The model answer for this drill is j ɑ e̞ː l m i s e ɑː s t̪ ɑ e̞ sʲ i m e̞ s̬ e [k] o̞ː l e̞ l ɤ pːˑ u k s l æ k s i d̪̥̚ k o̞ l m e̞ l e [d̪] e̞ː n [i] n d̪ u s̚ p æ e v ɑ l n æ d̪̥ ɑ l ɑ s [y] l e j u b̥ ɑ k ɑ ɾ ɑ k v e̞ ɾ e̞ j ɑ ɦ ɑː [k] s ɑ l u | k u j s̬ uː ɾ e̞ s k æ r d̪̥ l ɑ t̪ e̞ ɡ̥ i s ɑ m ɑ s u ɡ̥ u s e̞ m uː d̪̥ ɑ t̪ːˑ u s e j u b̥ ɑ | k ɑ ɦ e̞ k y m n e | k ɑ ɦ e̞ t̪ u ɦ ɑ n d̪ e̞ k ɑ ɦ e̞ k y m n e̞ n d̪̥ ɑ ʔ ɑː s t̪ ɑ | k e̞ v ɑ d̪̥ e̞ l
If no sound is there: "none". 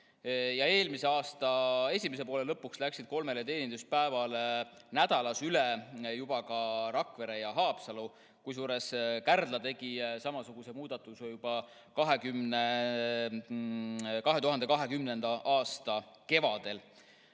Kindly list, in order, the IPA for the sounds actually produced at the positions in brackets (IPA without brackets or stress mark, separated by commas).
p, t̪, i, y, p